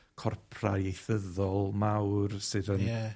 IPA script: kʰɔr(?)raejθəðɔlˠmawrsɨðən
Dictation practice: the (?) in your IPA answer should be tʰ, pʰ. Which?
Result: pʰ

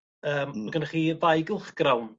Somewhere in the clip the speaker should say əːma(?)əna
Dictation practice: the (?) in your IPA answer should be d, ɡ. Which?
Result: ɡ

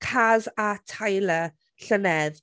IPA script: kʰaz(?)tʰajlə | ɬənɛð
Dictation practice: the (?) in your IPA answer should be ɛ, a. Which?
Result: a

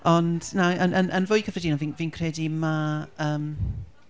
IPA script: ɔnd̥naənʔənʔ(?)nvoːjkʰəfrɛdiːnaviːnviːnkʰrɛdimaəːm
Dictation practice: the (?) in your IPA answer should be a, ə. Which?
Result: ə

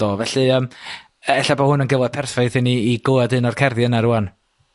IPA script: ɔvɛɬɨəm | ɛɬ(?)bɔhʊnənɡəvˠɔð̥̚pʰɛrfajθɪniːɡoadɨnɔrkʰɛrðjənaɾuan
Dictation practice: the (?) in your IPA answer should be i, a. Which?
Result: a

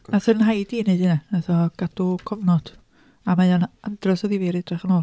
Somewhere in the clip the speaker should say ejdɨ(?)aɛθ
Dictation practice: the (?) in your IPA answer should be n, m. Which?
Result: n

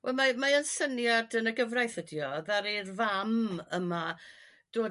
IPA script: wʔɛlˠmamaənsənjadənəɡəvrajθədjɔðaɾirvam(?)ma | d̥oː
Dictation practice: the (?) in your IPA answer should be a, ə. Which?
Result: ə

